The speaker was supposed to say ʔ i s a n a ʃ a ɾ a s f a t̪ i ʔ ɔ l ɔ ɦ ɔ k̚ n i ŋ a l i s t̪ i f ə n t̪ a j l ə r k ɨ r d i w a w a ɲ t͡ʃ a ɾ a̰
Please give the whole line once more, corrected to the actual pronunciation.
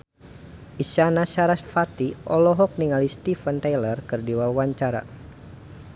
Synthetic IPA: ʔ i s a n a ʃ a ɾ a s f a t̪ i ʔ ɔ l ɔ ɦ ɔ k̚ n i ŋ a l i s t̪ i f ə n t̪ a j l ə r k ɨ r d i w a w a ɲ t͡ʃ a ɾ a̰

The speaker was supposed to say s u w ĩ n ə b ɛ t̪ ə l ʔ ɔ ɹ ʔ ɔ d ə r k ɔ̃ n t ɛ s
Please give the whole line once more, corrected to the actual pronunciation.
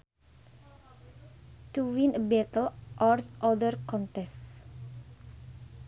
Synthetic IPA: t u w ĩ n ə b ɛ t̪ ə l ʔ ɔ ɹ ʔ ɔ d ə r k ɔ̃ n t ɛ s

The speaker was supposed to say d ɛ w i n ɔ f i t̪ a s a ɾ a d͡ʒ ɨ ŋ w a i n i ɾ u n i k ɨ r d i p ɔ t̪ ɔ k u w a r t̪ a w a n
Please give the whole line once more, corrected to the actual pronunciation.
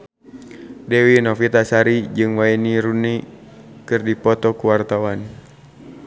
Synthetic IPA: d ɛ w i n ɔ f i t̪ a s a ɾ i d͡ʒ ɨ ŋ w a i n i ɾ u n i k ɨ r d i p ɔ t̪ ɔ k u w a r t̪ a w a n

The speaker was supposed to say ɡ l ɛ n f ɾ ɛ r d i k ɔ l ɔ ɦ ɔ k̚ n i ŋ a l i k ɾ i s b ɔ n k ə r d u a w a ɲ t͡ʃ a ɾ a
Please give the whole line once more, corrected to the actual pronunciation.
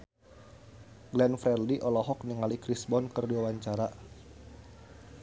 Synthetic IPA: ɡ l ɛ n f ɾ ɛ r d i ʔ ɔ l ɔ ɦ ɔ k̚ n i ŋ a l i k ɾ i s b ɔ n k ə r d u a w a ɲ t͡ʃ a ɾ a

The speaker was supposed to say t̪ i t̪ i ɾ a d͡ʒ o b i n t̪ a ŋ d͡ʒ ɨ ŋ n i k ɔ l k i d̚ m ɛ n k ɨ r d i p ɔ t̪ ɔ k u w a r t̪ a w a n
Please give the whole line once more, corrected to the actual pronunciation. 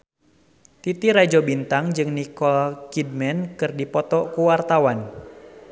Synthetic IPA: t̪ i t̪ i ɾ a d͡ʒ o b i n t̪ a ŋ d͡ʒ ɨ ŋ n i k ɔ l k i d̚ m ɛ n k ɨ r d i p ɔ t̪ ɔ k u w a r t̪ a w a n

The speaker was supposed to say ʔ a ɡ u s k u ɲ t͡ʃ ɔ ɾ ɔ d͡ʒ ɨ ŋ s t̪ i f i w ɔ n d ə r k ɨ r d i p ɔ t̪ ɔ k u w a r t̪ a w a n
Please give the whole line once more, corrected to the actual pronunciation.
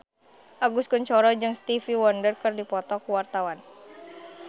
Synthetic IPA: ʔ a ɡ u s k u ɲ t͡ʃ ɔ ɾ ɔ d͡ʒ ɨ ŋ s t̪ i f i w ɔ n d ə r k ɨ r d i p ɔ t̪ ɔ k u w a r t̪ a w a n

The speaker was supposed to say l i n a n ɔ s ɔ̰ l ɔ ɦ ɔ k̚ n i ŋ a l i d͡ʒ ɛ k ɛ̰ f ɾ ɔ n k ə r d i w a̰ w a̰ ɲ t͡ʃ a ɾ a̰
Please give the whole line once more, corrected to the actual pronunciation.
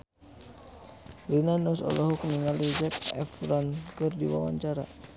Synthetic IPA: l i n a n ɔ s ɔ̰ l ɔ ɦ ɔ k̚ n i ŋ a l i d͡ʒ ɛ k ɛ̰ f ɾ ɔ n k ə r d i w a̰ w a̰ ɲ t͡ʃ a ɾ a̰

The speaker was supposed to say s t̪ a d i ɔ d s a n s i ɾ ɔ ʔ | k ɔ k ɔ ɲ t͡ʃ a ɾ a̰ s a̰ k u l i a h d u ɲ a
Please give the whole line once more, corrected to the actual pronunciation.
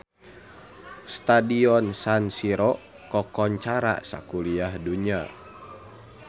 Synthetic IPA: s t̪ a d i ɔ n s a n s i ɾ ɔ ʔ | k ɔ k ɔ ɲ t͡ʃ a ɾ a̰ s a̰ k u l i a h d u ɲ a

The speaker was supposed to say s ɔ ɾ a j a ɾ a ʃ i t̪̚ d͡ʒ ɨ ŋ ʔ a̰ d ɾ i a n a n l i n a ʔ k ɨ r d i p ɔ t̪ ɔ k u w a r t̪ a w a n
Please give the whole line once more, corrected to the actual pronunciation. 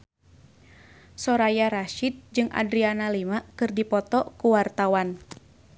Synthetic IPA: s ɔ ɾ a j a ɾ a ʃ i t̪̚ d͡ʒ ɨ ŋ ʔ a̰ d ɾ i a n a l i m a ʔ k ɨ r d i p ɔ t̪ ɔ k u w a r t̪ a w a n

